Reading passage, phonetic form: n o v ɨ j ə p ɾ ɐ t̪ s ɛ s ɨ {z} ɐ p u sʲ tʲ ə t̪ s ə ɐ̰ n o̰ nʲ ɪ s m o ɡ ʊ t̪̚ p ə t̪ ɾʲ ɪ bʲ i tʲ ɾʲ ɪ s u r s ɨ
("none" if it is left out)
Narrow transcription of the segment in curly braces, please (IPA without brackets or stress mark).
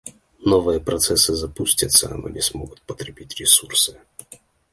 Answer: z